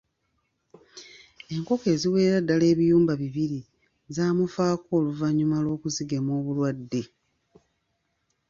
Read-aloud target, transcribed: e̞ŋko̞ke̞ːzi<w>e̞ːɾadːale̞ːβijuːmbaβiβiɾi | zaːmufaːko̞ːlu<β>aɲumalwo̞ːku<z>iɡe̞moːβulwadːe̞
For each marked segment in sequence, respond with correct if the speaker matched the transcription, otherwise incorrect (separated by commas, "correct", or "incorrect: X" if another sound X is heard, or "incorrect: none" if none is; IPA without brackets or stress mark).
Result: correct, incorrect: v, correct